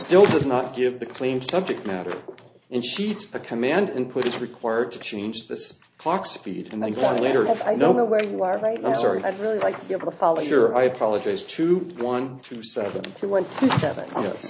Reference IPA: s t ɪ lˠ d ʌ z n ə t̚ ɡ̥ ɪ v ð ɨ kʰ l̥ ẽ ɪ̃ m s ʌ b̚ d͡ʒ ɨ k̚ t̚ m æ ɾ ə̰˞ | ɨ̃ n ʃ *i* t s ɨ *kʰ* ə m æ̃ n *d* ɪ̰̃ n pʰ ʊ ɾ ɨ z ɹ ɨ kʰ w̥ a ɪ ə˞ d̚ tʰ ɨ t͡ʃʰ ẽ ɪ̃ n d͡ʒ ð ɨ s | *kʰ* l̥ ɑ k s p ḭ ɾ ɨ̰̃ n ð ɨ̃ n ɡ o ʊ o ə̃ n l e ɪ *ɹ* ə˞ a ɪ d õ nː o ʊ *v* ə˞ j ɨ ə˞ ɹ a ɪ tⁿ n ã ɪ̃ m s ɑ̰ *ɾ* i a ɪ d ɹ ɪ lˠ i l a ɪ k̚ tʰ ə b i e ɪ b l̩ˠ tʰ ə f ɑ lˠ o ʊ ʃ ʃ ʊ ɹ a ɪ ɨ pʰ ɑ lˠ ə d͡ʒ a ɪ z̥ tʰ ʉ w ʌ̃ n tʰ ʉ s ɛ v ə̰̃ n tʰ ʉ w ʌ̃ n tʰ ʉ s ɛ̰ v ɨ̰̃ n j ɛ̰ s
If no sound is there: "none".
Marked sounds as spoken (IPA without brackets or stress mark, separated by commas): i, kʰ, d, kʰ, ɾ, w, ɹ